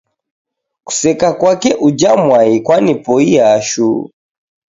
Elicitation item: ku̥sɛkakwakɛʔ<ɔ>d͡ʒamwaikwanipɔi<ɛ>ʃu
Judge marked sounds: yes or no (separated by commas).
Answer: no, no